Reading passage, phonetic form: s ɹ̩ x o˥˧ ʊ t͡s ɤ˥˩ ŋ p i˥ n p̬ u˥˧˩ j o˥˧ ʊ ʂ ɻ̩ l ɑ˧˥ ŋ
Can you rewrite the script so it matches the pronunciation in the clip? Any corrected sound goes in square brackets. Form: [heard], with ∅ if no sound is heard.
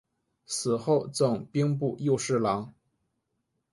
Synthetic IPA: s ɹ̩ x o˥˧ ʊ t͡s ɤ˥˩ ŋ p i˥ [ŋ] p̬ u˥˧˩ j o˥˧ ʊ ʂ ɻ̩ l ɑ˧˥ ŋ